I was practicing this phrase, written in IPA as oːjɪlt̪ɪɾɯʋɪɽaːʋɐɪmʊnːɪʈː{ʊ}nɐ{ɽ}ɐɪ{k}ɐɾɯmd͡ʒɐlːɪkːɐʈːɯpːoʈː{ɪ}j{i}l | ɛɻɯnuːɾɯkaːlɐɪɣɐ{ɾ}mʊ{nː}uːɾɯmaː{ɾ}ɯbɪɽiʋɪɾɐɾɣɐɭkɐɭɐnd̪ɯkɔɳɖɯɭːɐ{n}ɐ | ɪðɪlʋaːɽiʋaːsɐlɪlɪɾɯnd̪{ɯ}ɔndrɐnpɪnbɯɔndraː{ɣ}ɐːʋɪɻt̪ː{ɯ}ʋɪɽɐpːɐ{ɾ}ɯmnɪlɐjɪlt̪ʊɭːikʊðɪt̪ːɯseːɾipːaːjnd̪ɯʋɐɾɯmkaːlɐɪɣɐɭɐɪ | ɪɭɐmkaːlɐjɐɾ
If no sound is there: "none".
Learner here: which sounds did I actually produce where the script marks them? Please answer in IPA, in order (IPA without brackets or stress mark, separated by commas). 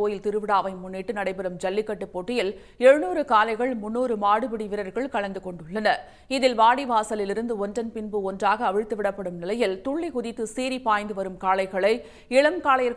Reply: ɯ, ɽ, p, ɪ, ɪ, ɭ, nː, ɽ, n, ɯ, ɣ, ɯ, ɽ